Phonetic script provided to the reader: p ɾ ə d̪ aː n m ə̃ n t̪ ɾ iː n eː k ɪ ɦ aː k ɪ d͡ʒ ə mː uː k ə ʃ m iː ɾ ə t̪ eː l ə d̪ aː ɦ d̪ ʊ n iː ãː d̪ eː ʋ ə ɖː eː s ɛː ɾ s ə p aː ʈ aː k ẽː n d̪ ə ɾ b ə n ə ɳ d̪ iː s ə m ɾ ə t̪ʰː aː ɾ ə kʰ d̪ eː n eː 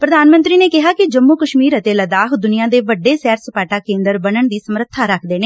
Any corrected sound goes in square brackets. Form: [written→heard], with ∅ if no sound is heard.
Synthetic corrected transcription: p ɾ ə d̪ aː n m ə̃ n t̪ ɾ iː n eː k ɪ ɦ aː k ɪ d͡ʒ ə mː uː k ə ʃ m iː ɾ ə t̪ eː l ə d̪ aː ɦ d̪ ʊ n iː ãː d̪ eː ʋ ə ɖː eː s ɛː ɾ s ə p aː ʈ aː k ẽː n d̪ ə ɾ b ə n ə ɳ d̪ iː s ə m ɾ ə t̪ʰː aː ɾ ə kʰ d̪ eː n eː